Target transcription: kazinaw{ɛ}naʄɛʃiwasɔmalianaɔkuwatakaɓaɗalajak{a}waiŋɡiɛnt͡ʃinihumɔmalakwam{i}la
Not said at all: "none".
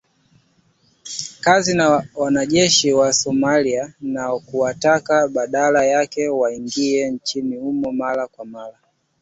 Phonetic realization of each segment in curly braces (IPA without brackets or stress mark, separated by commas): a, ɛ, a